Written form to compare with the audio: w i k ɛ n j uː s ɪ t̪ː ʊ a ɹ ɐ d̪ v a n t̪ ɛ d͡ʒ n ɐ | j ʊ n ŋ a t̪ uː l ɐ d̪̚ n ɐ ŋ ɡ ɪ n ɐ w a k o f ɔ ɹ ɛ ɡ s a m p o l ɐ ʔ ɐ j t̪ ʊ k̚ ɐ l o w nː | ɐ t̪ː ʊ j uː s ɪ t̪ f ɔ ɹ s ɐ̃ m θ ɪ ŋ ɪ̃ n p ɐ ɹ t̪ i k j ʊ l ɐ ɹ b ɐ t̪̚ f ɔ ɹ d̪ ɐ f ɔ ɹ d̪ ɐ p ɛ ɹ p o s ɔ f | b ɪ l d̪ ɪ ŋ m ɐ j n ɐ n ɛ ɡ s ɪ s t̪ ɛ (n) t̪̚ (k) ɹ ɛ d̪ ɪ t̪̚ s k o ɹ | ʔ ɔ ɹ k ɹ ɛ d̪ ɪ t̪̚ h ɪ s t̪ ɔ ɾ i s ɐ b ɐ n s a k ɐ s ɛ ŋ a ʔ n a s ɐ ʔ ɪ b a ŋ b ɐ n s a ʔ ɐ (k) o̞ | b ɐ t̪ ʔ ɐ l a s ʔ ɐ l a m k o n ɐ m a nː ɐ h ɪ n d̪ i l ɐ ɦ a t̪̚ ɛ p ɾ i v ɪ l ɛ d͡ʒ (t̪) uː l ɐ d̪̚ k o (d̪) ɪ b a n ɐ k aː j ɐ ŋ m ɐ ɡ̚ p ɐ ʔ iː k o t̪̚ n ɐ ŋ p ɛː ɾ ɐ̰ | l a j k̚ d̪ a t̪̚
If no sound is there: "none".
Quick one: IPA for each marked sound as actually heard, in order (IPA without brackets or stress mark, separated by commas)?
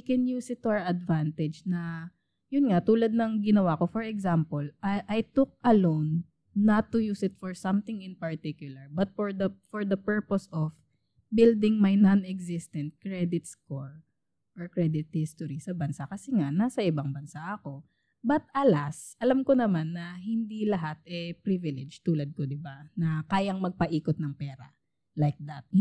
n, k, k, t̪, d̪